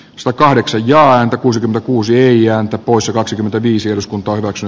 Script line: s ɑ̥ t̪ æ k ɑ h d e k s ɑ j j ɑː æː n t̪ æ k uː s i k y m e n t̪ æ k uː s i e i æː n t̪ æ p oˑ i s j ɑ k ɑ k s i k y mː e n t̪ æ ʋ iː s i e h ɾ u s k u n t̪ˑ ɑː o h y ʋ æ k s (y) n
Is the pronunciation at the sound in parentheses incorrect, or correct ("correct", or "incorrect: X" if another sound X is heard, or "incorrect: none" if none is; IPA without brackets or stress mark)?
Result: correct